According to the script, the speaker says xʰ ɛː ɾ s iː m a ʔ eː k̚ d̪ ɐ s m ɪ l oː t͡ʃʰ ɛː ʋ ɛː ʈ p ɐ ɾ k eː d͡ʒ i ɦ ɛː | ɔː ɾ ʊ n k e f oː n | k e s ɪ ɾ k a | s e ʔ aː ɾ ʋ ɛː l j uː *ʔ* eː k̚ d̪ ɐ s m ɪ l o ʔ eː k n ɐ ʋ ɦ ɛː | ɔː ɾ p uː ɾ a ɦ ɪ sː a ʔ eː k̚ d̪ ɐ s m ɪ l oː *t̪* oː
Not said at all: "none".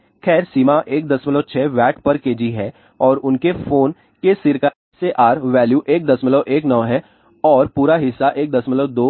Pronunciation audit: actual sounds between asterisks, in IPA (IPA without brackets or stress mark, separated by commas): ʔ, d̪